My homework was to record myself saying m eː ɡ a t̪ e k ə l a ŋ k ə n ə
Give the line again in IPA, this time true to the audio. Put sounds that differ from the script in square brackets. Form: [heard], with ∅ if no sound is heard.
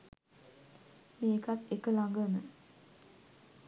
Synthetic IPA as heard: m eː [k] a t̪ e k ə l a ŋ [ɡ] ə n ə